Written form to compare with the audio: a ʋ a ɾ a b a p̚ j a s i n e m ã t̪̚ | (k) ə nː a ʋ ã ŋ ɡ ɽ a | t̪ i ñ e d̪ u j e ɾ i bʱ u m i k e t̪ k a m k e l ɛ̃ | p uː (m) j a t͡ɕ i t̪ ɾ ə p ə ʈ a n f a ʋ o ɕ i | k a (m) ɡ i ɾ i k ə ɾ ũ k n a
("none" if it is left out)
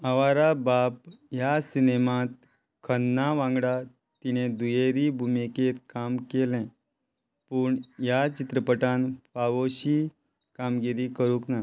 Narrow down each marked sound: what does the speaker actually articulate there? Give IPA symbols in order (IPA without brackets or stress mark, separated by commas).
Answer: kʰ, ɳ, m